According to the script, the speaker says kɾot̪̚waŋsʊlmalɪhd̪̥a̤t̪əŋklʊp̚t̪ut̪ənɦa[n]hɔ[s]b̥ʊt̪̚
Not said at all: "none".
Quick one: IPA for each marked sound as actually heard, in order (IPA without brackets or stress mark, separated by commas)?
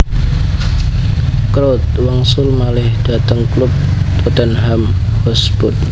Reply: m, s